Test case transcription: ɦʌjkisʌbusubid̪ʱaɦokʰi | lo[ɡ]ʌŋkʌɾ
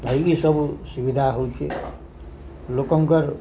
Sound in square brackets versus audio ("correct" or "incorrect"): incorrect